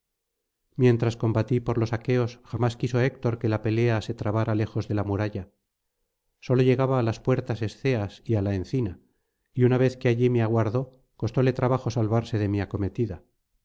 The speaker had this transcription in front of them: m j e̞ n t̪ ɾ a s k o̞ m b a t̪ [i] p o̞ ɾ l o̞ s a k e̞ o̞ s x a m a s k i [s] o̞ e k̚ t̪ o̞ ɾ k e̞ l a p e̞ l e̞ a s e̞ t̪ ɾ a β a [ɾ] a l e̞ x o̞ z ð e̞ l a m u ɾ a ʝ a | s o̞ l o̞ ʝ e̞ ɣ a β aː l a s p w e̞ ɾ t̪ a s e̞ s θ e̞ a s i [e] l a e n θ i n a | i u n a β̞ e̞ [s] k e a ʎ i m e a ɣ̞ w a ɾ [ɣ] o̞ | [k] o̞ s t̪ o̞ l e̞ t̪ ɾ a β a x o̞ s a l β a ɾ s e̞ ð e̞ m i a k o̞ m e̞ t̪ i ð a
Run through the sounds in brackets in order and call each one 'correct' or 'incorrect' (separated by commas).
correct, correct, correct, incorrect, incorrect, incorrect, correct